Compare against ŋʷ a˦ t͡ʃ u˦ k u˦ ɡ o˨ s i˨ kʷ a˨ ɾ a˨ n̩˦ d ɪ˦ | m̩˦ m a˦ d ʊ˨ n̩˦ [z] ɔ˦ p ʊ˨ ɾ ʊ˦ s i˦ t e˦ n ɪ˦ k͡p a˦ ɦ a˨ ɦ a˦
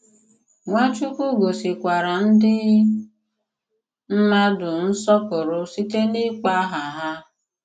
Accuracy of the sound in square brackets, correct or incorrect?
incorrect